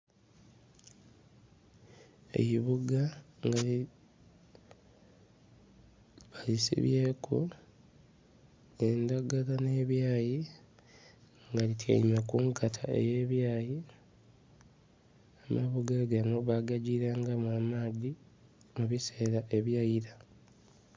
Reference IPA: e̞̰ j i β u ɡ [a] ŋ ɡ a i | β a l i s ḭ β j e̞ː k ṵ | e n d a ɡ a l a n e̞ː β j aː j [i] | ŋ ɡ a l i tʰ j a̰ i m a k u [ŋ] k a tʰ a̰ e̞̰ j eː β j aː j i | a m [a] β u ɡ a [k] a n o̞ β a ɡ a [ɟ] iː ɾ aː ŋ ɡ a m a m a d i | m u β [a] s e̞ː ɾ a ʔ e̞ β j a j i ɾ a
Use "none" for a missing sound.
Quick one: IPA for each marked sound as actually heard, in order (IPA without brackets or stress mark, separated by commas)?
a, i, ŋ, a, ɡ, ɟ, i